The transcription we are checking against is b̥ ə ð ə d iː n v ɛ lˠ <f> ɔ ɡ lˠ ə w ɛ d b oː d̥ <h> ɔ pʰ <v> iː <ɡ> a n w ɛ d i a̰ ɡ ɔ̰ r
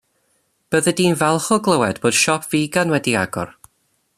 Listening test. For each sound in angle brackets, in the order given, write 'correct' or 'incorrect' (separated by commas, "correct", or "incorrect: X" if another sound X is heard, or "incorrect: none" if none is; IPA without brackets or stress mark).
incorrect: χ, incorrect: ʃ, correct, correct